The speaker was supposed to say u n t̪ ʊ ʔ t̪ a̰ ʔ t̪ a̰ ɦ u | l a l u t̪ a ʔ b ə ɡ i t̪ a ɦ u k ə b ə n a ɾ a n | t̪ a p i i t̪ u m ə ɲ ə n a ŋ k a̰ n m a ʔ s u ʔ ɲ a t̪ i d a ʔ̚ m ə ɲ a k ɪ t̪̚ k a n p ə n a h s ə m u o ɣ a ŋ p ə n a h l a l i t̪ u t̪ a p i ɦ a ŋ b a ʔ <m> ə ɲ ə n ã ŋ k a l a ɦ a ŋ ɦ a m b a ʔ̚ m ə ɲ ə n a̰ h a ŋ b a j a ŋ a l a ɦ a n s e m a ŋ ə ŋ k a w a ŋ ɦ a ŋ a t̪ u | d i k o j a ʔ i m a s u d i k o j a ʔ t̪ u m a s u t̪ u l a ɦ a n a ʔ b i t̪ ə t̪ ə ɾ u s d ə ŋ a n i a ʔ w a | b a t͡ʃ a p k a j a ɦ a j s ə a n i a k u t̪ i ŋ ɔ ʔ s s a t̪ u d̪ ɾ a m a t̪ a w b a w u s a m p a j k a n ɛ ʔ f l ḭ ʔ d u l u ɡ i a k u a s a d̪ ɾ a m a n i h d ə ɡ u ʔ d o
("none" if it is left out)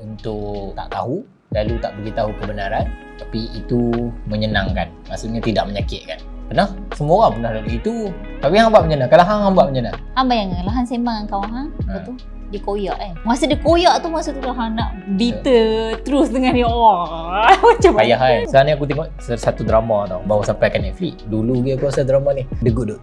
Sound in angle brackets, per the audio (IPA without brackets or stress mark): m